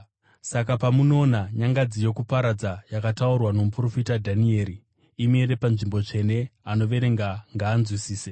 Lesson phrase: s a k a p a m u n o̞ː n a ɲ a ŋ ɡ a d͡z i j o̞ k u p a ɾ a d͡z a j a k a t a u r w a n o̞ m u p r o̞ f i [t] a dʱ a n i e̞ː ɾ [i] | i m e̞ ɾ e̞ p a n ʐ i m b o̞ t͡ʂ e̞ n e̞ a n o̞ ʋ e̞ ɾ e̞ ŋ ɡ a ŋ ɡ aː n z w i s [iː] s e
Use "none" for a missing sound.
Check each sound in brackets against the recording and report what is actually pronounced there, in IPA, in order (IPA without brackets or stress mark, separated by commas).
t, i, iː